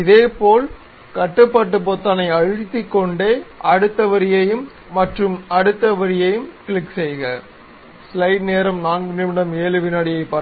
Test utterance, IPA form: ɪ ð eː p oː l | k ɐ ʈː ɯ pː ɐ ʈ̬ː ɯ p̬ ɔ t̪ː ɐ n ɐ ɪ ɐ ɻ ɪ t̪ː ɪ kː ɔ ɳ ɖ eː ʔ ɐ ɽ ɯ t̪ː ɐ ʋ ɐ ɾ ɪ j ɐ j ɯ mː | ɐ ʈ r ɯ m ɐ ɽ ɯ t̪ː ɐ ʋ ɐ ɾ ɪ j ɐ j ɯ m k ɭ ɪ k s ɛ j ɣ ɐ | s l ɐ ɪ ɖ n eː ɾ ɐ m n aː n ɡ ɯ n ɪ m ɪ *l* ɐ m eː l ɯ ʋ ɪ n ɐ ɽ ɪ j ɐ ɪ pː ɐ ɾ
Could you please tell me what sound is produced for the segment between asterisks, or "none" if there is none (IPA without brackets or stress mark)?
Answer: ɽ